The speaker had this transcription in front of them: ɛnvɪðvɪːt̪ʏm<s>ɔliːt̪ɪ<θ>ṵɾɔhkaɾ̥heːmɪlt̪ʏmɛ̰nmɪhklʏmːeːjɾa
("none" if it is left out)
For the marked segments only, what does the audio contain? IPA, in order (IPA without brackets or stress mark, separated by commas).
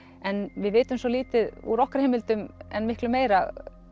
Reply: s, ð